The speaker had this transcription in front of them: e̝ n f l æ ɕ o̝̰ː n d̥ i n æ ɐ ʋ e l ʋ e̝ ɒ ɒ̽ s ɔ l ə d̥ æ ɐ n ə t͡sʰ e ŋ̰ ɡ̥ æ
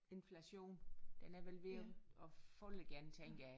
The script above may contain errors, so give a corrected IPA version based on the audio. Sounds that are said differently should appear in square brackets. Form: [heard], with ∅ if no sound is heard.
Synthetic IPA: e̝ n f l æ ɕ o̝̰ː n d̥ [e] n æ ɐ ʋ e l ʋ e̝ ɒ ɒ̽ [f] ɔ l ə [ɡ̥] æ ɐ n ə t͡sʰ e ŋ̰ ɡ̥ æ